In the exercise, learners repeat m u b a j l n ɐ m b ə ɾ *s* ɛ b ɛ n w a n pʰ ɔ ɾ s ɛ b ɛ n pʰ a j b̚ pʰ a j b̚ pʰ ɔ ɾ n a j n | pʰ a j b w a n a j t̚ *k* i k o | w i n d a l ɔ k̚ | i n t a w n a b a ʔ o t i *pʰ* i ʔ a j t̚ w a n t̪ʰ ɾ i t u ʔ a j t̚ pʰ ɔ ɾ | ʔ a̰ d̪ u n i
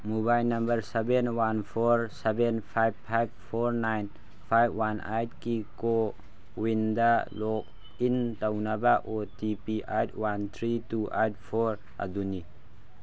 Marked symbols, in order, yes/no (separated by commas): yes, yes, no